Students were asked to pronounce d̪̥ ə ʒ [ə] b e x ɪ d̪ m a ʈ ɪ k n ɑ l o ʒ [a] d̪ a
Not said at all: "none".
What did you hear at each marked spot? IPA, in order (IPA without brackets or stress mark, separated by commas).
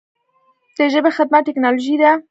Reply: ə, i